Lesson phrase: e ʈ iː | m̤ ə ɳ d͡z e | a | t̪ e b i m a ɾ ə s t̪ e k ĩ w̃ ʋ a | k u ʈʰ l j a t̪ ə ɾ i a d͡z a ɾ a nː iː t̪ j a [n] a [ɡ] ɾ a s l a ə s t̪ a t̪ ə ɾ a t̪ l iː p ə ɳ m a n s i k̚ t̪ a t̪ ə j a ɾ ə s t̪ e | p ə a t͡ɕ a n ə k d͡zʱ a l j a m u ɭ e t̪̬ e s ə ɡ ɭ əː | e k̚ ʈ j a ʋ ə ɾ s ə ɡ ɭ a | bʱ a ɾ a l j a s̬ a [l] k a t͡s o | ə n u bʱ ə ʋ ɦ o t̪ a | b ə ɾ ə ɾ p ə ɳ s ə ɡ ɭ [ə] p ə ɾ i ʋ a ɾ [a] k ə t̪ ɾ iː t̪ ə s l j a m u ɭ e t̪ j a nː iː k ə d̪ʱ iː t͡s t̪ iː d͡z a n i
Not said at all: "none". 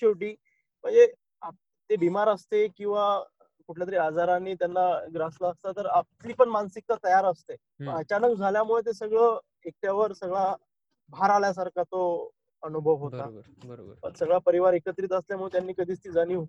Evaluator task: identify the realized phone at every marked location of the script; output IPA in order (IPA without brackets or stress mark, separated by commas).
nː, ɡ, ɾ, a, e